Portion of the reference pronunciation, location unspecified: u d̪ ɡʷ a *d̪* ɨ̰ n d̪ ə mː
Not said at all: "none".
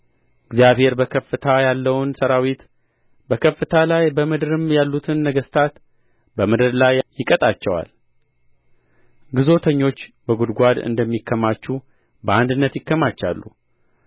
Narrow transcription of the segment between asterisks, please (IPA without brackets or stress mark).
d̪